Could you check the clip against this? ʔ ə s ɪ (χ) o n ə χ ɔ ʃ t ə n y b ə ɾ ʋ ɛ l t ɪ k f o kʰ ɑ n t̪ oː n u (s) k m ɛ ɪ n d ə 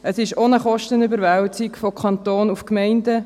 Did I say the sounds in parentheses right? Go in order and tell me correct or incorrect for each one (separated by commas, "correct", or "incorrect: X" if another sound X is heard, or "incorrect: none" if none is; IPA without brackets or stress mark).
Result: incorrect: ʃ, incorrect: f